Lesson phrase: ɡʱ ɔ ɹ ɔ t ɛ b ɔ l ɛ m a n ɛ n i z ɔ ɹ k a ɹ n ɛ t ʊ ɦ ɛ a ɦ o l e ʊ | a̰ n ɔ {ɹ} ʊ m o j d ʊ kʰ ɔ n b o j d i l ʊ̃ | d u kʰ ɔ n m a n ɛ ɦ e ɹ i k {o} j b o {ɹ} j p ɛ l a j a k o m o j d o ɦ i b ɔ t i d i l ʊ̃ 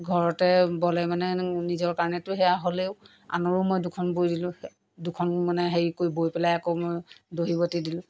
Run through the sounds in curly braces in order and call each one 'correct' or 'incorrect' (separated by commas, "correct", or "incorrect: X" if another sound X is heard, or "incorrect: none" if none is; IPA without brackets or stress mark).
correct, correct, incorrect: none